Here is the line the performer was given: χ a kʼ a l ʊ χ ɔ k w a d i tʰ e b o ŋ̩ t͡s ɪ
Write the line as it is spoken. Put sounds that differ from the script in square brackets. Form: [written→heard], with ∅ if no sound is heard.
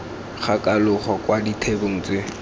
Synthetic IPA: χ a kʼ a l ʊ χ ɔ k w a d i tʰ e b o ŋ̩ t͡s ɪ

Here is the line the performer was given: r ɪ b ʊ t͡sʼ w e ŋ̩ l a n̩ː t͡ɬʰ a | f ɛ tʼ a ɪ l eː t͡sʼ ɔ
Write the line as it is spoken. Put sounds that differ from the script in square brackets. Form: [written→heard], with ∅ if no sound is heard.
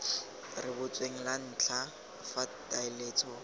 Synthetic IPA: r ɪ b ʊ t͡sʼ w e ŋ̩ l a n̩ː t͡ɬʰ a | f [ɛ→a] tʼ a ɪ l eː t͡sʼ ɔ

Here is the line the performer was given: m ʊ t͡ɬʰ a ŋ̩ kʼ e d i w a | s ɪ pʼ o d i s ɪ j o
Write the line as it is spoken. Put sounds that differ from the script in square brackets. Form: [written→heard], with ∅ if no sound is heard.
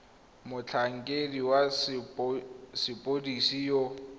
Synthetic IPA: m ʊ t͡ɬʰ a ŋ̩ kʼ e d i w a | s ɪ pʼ o d i s [ɪ→i] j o

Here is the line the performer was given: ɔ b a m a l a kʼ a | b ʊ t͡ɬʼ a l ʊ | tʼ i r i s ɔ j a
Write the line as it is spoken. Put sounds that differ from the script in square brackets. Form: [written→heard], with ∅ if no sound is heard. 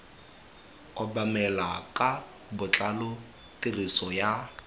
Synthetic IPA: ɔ b a m [a→ɛ] l a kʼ a | b ʊ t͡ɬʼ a l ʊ | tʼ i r i s ɔ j a

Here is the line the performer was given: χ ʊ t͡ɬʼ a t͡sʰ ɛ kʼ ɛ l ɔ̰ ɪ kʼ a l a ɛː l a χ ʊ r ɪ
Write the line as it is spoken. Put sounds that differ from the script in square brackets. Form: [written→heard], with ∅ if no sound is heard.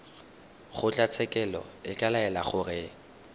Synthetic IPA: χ ʊ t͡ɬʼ a t͡sʰ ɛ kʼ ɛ l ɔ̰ ɪ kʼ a l a [ɛː→ɛ] l a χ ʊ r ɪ

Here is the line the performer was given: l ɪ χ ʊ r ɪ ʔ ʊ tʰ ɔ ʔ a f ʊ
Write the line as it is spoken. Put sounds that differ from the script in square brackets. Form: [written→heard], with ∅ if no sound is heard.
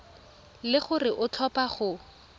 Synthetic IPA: l ɪ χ ʊ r ɪ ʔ ʊ tʰ ɔ [ʔ→p] a [f→χ] ʊ

